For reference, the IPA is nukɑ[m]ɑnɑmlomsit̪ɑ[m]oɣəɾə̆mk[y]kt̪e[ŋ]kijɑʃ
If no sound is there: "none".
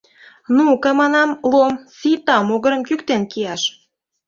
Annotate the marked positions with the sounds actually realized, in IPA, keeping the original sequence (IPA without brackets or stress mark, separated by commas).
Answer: m, m, y, n